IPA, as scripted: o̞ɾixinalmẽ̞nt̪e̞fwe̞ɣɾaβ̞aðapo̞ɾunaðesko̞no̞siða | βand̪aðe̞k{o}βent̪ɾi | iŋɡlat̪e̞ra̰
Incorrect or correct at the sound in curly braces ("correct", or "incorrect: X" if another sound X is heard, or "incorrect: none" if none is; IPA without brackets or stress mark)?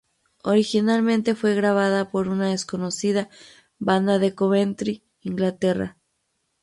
correct